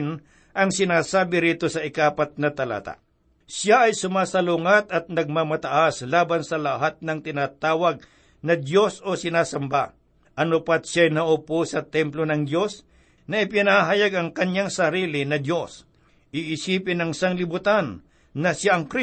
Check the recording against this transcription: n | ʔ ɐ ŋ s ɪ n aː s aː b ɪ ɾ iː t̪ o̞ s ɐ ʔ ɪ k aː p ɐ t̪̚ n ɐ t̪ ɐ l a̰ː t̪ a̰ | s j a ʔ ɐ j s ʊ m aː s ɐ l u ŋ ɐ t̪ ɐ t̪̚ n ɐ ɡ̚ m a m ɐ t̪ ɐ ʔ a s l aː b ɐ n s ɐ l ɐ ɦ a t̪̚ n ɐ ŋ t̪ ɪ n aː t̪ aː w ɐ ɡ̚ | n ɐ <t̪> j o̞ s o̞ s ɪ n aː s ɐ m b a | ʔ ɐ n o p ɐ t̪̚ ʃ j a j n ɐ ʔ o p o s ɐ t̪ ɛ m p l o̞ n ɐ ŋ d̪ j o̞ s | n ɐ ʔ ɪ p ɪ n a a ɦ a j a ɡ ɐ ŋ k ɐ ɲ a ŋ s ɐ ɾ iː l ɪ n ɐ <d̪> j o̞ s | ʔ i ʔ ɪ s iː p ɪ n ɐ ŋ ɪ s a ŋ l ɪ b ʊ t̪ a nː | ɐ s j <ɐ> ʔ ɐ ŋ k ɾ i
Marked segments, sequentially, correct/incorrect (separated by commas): incorrect, correct, incorrect